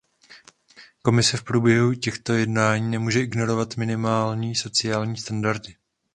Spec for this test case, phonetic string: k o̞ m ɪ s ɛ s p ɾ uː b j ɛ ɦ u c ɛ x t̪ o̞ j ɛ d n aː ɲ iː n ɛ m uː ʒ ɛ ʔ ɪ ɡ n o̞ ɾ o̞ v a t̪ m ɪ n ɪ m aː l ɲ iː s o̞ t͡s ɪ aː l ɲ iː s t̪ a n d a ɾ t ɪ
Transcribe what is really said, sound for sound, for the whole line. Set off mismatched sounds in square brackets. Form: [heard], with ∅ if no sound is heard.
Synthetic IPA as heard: k o̞ m ɪ s ɛ [f] p ɾ uː b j ɛ ɦ u c ɛ x t̪ o̞ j ɛ d n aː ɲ iː n ɛ m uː ʒ ɛ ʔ ɪ ɡ n o̞ ɾ o̞ v a t̪ m ɪ n ɪ m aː l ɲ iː s o̞ t͡s ɪ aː l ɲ iː s t̪ a n d a ɾ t ɪ